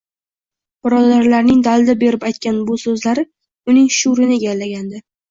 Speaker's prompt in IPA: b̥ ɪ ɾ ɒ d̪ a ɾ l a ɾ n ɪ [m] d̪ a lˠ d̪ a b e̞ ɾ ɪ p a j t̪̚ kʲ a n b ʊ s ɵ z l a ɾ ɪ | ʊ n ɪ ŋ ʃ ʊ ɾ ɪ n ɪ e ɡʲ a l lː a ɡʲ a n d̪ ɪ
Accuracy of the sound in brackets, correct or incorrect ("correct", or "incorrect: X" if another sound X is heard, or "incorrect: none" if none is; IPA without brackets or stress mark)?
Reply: incorrect: ŋ